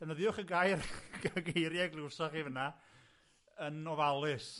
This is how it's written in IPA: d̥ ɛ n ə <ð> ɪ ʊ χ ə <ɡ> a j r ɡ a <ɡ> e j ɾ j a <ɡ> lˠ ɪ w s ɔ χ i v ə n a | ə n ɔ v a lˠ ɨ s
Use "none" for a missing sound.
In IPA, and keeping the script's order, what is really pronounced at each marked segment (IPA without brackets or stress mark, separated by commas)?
ð, ɡ, ɡ, ɡ